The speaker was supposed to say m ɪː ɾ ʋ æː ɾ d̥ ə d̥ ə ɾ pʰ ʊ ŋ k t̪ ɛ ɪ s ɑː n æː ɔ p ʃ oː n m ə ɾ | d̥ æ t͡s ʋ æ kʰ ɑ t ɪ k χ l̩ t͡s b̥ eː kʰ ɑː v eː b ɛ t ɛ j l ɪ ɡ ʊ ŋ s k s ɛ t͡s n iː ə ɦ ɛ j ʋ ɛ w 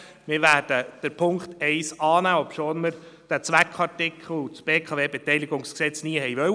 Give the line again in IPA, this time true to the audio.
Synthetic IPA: m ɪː ɾ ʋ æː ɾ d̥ ə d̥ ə ɾ pʰ ʊ ŋ k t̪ ɛ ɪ s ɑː n æː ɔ p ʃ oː n m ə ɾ | d̥ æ t͡s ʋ æ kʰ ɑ t ɪ k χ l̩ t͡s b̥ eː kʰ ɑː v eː b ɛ t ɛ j l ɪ ɡ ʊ ŋ s k s ɛ t͡s n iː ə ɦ ɛ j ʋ œ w

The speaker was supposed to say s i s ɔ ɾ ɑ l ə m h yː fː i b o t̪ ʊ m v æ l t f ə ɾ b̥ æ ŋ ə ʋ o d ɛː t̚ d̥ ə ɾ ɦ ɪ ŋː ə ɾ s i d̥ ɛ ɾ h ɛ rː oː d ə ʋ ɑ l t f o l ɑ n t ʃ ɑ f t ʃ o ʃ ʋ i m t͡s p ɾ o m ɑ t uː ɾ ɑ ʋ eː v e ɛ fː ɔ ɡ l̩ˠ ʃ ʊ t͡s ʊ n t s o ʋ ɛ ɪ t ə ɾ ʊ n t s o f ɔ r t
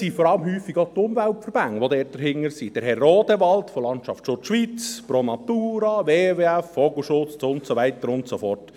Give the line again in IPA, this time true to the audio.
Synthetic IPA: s i f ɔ ɾ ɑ l ə m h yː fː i ɡ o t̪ ʊ m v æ l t f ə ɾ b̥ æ ŋ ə ʋ o d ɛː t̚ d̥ ə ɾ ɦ ɪ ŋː ə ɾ s i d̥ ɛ ɾ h ɛ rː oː d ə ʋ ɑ l t f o l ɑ n t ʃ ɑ f t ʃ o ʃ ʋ i t͡s p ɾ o m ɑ t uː ɾ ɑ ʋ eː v e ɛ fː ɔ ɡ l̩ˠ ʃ ʊ t͡s ʊ n t s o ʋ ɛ ɪ t ə ɾ ʊ n t s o f ɔ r t

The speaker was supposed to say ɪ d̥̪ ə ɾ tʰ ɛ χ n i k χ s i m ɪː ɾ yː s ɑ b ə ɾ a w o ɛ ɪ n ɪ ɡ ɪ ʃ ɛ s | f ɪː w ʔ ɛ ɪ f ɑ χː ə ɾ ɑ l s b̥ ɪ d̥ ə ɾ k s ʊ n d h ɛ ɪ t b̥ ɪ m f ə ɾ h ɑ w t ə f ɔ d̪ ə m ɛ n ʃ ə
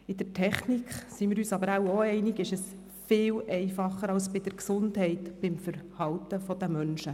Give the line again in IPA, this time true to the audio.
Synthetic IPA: ɪ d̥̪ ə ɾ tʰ ɛ χ n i k χ s i m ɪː ɾ yː s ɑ b ə ɾ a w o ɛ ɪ n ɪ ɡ ɪ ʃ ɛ s | f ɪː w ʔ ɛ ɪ f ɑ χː ə ɾ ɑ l s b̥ ɪ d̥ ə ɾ k s ʊ n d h ɛ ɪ t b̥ ɪ m f ə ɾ h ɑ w t ə f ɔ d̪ ə m œ n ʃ ə

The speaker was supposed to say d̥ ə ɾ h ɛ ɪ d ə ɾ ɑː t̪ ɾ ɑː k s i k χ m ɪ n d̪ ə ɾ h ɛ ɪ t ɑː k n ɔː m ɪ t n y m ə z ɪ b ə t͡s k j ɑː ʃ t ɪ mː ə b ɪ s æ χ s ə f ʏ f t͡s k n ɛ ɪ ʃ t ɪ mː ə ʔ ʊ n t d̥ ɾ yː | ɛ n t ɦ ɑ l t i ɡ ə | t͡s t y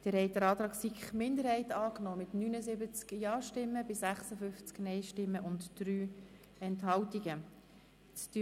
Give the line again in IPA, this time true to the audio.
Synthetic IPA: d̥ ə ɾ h ɛ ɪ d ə ɾ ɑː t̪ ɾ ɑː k s i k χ m ɪ n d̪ ə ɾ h ɛ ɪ t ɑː k n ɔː m ɪ t n y n ə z ɪ b ə t͡s k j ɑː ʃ t ɪ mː ə b ɪ s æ χ s ə f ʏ f t͡s k n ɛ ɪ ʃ t ɪ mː ə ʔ ʊ n t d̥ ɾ yː | ɛ n t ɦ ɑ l t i ɡ ə | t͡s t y

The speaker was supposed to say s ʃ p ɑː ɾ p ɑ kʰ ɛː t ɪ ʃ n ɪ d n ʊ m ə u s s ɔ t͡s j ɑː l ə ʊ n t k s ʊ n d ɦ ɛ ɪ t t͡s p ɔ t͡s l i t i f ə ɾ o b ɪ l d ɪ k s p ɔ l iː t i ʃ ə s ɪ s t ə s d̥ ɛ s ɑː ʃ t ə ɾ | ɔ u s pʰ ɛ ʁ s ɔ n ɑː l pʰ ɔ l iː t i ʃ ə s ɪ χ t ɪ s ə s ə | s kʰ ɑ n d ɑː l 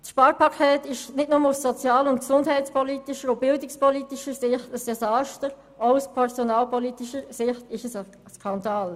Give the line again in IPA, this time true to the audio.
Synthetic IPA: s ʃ p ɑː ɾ p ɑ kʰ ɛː t ɪ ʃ n ɪ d n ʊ m ə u s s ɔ t͡s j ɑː l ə ʊ n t k s ʊ n d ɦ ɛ ɪ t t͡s p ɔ l i t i ʃ ə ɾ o b ɪ l d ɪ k s p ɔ l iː t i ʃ ə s ɪ χ t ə s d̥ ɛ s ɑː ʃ t ə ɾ | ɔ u s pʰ ɛ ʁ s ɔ n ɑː l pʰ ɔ l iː t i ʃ ə s ɪ χ t ɪ ʃ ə s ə | s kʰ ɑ n d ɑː l

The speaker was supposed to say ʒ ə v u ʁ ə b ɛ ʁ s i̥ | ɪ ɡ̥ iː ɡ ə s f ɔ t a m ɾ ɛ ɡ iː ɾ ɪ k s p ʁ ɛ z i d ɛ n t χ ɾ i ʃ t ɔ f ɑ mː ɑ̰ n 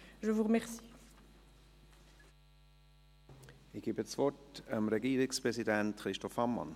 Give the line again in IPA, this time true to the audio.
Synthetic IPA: ʒ ə v u ʁ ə m ɛ ʁ s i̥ | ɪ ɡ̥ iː b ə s v ɔ t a m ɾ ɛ ɡ iː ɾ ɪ k s p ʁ ɛ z i d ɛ n t χ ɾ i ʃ t ɔ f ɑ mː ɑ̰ n

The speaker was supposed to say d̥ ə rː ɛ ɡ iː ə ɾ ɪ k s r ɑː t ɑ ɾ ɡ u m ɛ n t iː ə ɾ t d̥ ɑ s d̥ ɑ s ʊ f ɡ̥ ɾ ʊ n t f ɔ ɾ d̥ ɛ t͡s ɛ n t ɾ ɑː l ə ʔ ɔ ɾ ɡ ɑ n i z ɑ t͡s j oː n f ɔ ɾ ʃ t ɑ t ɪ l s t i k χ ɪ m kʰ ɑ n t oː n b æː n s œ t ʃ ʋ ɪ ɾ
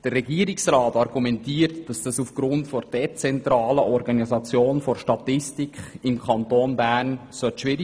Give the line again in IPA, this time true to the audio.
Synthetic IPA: d̥ ə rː ɛ ɡ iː ə ɾ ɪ k s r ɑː t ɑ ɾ ɡ u m ɛ n t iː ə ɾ t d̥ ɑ s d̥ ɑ s u f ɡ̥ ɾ ʊ n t f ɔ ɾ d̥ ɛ t͡s ɛ n t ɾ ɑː l ə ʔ ɔ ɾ ɡ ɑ n i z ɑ t͡s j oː n f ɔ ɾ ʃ t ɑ t ɪ s t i k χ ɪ m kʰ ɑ n t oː n b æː n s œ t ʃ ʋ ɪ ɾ

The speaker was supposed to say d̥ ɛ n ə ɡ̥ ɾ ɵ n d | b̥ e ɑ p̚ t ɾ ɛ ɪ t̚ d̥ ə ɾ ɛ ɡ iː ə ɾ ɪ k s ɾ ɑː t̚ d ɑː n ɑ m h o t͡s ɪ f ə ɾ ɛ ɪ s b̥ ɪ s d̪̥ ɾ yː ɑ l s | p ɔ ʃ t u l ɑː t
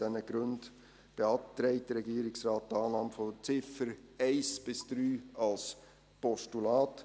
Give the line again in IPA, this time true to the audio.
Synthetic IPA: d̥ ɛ n ə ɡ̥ ɾ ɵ n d | b̥ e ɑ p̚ t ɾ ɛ ɪ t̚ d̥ ə ɾ ɛ ɡ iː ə ɾ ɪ k s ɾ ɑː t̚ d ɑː n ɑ m f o t͡s ɪ f ə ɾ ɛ ɪ s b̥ ɪ s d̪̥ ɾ yː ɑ l s | p ɔ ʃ t u l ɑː t

